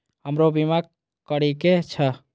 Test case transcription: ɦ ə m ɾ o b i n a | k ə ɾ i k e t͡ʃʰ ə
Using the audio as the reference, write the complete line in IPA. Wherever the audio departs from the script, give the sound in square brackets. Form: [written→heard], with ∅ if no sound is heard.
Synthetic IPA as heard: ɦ ə m ɾ o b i [n→m] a | k ə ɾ i k e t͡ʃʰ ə